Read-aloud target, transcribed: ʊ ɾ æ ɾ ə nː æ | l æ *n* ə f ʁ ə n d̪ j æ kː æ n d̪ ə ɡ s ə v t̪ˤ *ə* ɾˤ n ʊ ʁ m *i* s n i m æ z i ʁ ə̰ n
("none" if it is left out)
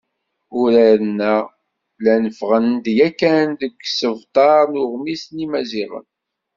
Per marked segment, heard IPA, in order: n, ɑ, i

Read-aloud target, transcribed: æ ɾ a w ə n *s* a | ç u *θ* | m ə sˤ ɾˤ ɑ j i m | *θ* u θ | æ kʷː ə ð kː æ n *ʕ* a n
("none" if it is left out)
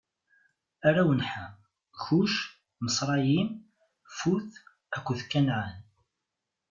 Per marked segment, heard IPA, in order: ħ, ʃ, f, ʕ

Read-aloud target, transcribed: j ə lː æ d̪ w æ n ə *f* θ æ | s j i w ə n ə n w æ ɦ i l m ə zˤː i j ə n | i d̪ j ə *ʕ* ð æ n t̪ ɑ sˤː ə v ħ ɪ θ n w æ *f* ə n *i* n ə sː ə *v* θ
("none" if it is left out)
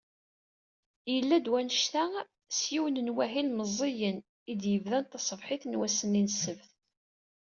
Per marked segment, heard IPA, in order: ʃ, v, s, i, v

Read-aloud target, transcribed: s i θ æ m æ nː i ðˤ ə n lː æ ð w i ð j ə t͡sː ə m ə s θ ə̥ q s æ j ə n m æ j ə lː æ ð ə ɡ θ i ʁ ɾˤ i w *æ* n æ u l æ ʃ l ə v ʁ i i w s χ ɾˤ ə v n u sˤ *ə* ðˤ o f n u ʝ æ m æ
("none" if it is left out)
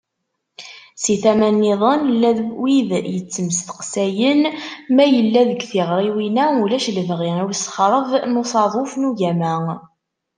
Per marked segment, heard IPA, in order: i, ɑ

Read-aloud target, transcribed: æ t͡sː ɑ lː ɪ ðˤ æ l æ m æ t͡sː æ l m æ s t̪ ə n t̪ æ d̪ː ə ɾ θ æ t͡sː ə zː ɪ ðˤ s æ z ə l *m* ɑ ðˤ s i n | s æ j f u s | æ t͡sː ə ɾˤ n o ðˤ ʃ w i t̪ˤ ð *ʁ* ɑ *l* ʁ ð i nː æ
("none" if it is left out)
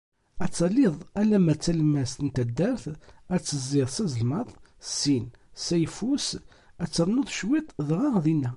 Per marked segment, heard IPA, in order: m, ʁ, none

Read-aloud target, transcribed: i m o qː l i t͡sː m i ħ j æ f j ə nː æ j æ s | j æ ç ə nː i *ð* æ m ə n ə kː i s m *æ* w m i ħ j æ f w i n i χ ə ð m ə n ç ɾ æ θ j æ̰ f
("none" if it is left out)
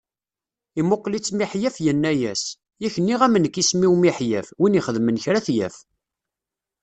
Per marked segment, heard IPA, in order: ʁ, i

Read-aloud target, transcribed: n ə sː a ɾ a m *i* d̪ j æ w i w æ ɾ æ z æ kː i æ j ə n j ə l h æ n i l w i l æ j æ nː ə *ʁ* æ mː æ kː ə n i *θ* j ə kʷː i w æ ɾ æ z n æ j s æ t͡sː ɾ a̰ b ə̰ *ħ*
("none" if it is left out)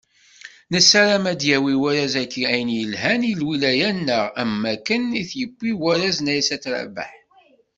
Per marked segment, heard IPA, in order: æ, ʁ, θ, ħ

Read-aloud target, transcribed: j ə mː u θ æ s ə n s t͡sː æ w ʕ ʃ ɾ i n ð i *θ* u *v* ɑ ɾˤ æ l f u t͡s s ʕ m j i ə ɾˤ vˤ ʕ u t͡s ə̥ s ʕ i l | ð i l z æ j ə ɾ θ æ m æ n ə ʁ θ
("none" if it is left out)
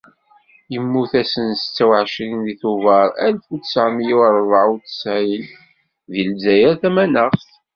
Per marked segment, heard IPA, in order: θ, v

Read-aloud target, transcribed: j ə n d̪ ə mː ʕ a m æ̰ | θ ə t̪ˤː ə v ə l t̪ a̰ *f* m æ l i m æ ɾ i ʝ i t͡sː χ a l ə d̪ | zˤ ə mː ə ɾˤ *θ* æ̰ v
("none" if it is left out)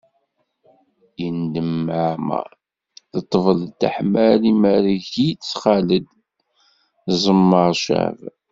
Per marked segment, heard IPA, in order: ħ, ʃ

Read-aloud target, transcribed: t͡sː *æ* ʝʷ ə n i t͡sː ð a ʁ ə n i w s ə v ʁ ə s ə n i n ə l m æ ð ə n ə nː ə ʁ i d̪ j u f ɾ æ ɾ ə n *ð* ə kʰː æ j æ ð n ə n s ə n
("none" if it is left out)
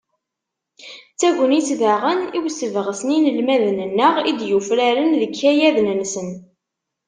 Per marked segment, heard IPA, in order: æ, ð

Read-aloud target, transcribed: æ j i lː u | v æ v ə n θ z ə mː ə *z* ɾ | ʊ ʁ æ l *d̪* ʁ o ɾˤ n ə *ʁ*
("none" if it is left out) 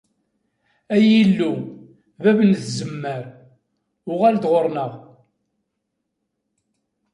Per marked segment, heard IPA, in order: none, d̪, ʁ

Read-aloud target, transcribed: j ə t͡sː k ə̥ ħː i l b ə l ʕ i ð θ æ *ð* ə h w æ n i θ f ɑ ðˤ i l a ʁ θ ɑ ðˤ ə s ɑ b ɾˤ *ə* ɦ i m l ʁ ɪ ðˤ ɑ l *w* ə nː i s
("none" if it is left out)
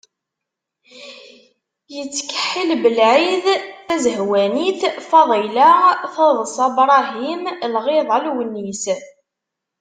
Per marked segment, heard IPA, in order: z, ɑ, w

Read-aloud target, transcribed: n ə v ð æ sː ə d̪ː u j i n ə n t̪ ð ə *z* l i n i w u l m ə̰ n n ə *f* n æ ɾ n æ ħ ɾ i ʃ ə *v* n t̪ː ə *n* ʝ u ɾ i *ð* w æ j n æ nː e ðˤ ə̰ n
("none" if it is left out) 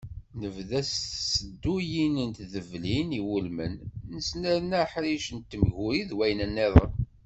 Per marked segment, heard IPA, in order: v, s, none, m, ð

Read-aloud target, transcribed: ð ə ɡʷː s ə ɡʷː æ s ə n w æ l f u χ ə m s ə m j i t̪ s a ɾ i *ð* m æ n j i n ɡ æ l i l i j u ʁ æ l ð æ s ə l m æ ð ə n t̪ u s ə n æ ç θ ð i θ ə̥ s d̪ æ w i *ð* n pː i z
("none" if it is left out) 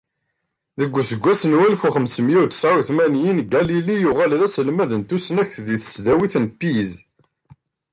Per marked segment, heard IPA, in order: θ, θ

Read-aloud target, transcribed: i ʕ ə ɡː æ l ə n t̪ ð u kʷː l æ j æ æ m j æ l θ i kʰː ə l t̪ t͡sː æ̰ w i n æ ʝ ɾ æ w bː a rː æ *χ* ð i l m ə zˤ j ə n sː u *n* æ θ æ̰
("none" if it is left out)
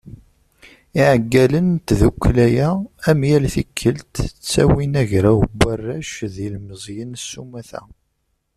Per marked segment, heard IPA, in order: ʃ, m

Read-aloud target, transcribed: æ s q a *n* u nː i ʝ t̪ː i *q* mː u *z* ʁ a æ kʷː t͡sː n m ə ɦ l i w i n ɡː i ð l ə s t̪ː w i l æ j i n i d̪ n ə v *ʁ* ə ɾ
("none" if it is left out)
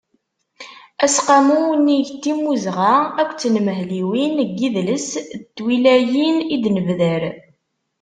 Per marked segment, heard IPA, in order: m, none, z, ð

